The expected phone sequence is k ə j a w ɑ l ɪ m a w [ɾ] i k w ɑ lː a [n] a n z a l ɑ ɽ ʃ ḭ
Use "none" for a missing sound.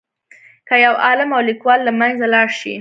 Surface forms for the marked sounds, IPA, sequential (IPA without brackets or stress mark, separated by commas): l, m